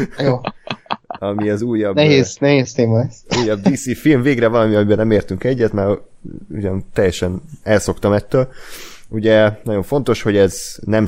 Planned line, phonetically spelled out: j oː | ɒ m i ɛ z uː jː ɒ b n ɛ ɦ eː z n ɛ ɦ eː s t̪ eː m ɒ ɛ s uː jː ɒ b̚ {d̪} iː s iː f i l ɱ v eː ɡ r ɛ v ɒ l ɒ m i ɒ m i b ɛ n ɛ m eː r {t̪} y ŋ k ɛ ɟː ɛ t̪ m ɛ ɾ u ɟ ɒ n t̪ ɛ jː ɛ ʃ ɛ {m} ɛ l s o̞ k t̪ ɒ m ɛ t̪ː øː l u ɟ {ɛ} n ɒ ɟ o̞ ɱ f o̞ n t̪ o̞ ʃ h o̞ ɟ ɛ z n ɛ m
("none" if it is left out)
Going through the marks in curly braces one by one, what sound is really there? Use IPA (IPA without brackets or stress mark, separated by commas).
d̪, t̪, n, ɛ